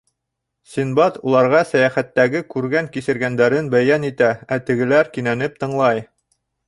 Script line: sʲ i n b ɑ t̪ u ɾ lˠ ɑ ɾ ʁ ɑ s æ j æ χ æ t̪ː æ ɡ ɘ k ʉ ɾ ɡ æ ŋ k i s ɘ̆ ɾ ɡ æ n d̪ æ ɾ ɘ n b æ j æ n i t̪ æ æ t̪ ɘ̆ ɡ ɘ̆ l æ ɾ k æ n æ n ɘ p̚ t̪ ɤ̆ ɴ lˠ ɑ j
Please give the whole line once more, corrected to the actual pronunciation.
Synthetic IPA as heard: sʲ i n b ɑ t̪ u lˠ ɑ ɾ ʁ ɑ s æ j æ χ æ t̪ː æ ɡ ɘ k ʉ ɾ ɡ æ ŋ k i s ɘ̆ ɾ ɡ æ n d̪ æ ɾ ɘ n b æ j æ n i t̪ æ æ t̪ ɘ̆ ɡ ɘ̆ l æ ɾ k i n æ n ɘ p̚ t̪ ɤ̆ ɴ lˠ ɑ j